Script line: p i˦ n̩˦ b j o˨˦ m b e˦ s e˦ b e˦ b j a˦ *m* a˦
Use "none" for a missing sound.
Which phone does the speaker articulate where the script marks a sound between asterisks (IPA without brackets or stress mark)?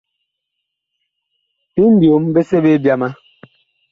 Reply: m